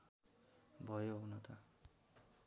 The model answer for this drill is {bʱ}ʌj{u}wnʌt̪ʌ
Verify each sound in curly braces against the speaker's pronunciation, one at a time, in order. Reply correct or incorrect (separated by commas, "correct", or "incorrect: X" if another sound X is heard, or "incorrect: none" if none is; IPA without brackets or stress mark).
correct, incorrect: o